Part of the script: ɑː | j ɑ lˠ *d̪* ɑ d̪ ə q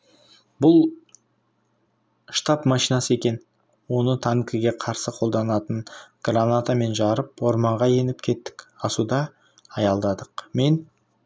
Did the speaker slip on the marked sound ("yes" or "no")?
no